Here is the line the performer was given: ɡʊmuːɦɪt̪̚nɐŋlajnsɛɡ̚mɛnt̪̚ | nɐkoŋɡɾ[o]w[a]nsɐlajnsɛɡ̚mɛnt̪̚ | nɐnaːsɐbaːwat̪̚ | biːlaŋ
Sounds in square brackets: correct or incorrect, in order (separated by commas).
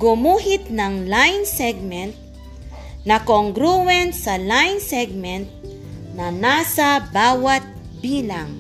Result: incorrect, incorrect